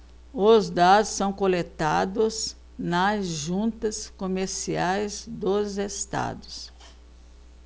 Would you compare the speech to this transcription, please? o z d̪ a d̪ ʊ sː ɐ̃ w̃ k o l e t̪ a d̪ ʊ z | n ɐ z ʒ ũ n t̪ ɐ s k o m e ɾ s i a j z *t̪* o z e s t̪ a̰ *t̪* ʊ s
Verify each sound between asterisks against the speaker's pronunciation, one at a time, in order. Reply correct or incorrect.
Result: incorrect: d̪, incorrect: d̪

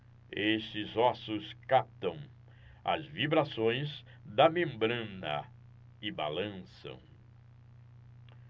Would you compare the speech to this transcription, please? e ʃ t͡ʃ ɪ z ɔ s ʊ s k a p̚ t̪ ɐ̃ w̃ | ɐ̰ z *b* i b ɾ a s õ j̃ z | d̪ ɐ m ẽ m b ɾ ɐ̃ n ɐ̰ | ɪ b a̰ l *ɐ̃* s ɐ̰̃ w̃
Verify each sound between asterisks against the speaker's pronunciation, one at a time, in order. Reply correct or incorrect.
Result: incorrect: v, correct

